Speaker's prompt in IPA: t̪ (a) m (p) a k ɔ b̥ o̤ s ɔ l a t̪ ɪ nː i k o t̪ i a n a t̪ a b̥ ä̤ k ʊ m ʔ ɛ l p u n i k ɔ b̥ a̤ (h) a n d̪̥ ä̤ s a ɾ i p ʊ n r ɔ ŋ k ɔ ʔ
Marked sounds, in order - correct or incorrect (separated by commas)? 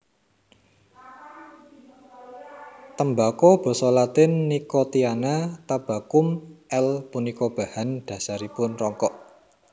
incorrect, incorrect, correct